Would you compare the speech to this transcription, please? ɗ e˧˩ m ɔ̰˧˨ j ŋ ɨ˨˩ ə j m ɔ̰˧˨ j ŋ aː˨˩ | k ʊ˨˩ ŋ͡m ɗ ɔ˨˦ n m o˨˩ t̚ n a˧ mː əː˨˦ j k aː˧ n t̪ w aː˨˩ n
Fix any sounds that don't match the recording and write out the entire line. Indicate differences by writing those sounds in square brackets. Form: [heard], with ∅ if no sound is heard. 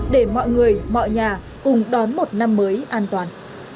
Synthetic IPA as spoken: ɗ e˧˩ m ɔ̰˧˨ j ŋ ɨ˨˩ ə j m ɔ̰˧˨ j [ɲ] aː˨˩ | k ʊ˨˩ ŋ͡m ɗ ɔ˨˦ n m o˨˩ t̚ n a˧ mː əː˨˦ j [ʔ] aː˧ n t̪ w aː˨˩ n